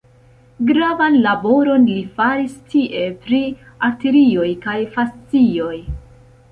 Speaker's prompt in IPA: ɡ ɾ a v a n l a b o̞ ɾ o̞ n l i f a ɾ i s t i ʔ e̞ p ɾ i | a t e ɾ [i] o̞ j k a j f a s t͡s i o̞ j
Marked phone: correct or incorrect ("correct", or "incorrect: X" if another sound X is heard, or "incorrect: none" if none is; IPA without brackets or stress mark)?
correct